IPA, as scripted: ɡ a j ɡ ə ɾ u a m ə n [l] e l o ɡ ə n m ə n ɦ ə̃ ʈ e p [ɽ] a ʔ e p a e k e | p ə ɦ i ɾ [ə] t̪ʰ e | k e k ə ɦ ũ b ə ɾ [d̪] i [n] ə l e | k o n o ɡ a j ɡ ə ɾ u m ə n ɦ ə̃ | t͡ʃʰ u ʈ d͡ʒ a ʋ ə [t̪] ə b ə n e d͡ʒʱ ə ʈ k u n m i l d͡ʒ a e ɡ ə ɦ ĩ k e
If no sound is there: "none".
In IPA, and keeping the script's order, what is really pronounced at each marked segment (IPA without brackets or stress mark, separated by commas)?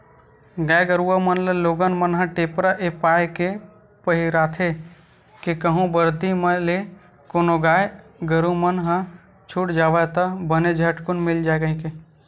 l, ɾ, a, d̪, m, t̪